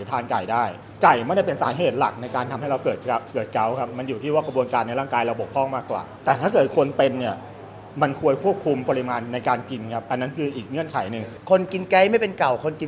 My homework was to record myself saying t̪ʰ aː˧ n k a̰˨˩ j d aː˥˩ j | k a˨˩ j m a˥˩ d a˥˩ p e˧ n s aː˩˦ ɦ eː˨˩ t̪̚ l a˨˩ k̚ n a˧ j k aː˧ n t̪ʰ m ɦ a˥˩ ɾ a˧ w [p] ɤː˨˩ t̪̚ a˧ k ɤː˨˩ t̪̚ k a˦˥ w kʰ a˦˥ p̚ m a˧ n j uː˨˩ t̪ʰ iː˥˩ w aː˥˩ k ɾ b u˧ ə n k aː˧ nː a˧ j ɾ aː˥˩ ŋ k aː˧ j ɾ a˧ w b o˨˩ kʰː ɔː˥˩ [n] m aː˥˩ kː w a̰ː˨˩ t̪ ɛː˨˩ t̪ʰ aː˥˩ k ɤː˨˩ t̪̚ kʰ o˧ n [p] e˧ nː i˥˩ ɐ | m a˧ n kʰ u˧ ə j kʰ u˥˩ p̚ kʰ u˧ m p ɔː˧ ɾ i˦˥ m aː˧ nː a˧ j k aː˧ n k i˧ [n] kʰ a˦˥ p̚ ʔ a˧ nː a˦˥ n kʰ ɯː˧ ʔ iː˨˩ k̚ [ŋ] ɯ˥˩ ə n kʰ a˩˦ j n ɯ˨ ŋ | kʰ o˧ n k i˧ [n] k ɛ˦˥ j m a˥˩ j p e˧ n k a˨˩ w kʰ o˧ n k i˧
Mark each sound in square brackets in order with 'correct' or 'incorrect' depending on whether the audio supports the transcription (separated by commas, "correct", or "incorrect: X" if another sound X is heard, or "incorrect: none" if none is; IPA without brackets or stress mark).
incorrect: k, incorrect: ŋ, correct, correct, correct, correct